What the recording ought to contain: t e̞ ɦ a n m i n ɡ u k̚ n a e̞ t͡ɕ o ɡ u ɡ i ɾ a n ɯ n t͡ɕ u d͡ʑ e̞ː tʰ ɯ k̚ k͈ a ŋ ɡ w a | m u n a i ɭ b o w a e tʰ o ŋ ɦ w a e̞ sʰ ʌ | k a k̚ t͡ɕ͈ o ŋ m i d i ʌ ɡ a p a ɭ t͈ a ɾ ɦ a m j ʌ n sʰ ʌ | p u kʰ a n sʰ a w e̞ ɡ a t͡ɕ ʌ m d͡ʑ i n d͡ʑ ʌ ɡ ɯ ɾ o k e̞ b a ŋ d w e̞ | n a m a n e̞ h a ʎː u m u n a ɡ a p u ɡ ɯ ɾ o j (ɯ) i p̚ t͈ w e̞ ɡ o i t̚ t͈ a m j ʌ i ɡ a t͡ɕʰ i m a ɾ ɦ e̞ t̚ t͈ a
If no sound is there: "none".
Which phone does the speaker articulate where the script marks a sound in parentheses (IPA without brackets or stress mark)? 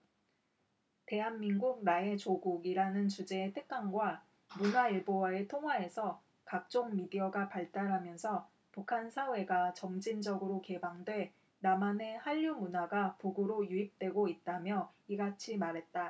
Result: u